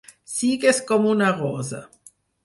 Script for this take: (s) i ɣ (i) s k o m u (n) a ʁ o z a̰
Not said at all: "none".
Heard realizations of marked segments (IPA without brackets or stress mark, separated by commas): s, e, n